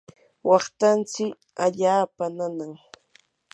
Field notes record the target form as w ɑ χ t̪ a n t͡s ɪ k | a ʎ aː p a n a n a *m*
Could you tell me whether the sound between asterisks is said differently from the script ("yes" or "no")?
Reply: yes